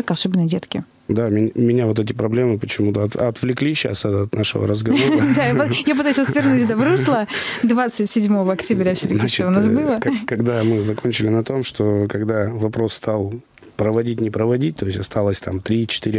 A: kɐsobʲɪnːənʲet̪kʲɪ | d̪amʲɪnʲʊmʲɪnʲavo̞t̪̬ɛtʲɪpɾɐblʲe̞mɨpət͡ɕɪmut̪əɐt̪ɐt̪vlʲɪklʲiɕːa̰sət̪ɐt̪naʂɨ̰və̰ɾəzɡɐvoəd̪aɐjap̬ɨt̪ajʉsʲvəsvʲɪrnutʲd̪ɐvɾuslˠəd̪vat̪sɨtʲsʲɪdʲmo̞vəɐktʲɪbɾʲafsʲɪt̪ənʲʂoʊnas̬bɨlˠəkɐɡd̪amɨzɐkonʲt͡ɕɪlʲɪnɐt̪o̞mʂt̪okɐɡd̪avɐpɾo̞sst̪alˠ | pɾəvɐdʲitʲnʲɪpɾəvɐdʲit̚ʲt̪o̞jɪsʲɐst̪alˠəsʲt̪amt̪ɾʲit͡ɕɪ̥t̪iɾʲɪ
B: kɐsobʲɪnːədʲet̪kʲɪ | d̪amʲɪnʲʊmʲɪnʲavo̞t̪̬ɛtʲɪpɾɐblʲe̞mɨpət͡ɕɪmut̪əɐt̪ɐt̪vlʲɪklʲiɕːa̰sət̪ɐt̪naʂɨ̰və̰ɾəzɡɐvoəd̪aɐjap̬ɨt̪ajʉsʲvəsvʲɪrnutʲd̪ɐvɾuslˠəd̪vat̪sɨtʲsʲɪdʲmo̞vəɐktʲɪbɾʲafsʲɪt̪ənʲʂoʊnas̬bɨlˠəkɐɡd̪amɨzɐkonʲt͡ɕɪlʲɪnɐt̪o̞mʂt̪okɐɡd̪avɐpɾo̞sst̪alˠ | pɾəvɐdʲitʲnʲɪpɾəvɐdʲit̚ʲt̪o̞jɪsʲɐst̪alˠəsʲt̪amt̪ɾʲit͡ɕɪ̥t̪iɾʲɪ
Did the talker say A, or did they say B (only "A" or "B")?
B